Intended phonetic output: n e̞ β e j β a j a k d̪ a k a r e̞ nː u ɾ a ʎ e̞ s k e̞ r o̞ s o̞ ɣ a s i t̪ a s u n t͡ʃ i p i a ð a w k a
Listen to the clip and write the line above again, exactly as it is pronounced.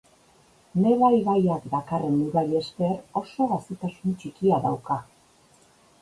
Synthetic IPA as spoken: n e̞ β a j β a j a k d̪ a k a r e̞ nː u ɾ a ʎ e̞ s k e̞ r o̞ s o̞ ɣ a s i t̪ a s u n t͡ʃ i k i a ð a w k a